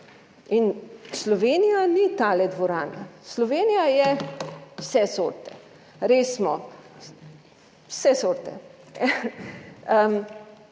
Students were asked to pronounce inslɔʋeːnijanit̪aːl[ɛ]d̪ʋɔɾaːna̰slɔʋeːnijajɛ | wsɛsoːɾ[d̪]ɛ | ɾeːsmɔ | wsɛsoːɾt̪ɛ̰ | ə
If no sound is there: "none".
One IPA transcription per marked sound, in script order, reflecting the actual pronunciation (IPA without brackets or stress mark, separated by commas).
ɛ, t̪